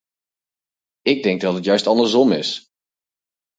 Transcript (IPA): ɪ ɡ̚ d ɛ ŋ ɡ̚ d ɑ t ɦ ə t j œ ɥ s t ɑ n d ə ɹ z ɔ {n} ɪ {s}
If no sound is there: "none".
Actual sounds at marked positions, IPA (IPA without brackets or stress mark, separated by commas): m, s